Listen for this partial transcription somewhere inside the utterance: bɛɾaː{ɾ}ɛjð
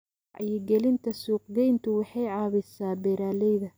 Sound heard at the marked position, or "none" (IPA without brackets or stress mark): l